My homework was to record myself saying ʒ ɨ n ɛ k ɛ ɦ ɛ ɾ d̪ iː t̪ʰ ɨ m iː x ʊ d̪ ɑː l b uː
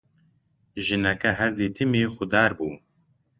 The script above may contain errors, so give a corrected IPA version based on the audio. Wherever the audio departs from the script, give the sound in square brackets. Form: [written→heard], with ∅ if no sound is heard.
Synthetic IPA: ʒ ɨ n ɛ k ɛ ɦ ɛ ɾ d̪ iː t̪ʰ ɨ m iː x ʊ d̪ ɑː [l→ɾ] b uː